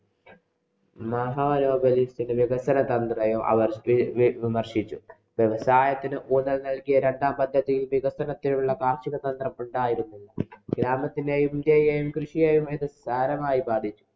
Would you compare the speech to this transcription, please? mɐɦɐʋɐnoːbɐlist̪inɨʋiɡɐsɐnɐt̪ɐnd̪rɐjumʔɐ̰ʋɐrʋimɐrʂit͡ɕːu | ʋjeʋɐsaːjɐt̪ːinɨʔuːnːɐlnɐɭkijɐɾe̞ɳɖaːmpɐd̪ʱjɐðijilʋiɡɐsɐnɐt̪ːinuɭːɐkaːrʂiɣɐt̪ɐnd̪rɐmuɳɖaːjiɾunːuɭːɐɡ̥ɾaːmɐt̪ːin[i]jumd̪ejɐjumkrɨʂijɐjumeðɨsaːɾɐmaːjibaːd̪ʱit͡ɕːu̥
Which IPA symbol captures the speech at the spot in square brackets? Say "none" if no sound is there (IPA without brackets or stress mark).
e